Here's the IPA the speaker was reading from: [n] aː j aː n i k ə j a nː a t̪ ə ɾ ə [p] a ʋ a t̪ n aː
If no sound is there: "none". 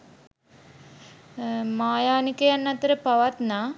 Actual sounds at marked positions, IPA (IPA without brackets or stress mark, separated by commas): m, p